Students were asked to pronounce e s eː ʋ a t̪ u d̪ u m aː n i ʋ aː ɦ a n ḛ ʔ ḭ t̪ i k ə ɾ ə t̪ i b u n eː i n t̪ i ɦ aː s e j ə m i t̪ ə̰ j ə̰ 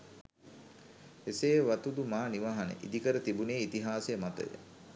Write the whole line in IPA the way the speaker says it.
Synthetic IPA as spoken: e s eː ʋ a t̪ u d̪ u m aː n i ʋ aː ɦ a n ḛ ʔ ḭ d̪ i k ə ɾ ə t̪ i b u n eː i t̪ i ɦ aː s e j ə m a t̪ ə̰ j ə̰